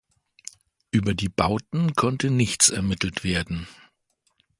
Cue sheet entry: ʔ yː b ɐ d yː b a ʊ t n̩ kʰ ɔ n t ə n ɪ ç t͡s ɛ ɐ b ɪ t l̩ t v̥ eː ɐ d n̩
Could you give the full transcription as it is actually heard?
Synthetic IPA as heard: ʔ yː b ɐ d iː b a ʊ t n̩ kʰ ɔ n t ə n ɪ ç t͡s ɛ ɐ m ɪ t l̩ t v̥ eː ɐ d n̩